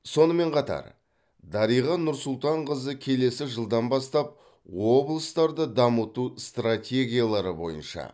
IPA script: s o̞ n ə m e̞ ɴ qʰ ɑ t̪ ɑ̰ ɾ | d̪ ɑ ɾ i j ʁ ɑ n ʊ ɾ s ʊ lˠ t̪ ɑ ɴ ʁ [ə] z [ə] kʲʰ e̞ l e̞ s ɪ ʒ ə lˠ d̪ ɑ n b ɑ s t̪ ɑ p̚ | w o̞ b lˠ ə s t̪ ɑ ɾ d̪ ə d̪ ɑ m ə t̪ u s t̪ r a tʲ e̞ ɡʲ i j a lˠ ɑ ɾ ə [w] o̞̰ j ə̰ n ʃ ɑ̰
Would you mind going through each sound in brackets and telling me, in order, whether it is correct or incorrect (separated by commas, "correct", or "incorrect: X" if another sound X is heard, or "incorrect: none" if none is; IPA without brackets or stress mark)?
correct, correct, incorrect: b